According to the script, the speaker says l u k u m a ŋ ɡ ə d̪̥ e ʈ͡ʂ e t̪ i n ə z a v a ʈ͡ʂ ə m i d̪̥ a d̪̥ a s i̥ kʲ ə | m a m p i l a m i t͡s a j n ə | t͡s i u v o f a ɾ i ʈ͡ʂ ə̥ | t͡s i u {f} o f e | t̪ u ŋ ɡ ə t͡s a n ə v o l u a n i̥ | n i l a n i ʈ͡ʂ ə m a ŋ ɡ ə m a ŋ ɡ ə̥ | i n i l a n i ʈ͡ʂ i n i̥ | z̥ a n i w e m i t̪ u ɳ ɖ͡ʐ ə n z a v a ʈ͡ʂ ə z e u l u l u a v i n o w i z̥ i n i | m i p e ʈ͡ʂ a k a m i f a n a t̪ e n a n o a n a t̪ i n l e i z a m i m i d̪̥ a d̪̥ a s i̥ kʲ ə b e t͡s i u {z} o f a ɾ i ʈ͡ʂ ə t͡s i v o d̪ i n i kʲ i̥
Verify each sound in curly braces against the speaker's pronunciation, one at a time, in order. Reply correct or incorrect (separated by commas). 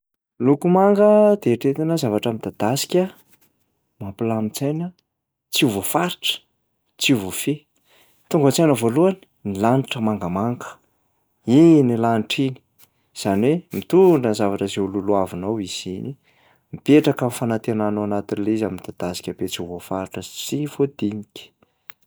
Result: incorrect, incorrect